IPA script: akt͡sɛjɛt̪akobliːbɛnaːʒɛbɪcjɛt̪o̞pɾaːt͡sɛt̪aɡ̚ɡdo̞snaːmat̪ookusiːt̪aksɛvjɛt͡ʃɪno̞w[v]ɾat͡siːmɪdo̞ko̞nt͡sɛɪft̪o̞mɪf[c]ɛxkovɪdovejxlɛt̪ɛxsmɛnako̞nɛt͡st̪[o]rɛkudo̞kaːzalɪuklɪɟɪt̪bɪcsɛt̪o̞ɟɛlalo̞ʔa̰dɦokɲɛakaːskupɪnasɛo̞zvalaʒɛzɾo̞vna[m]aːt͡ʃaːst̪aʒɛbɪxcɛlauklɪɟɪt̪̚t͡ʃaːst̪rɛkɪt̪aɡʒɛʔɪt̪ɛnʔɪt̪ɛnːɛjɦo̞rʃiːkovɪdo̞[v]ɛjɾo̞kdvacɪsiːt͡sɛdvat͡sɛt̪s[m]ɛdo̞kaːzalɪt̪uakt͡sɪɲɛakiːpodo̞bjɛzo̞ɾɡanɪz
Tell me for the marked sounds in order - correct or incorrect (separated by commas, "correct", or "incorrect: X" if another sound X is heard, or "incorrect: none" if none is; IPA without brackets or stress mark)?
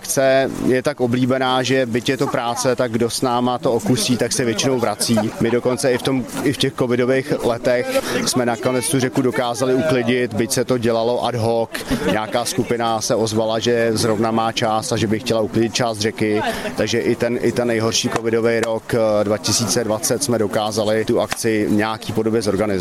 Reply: correct, correct, incorrect: u, correct, correct, correct